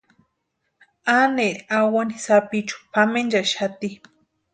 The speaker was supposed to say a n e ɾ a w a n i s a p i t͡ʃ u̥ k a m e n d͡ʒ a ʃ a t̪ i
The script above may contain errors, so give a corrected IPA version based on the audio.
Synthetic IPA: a n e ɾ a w a n i s a p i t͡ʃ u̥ p a m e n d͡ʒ a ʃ a t̪ i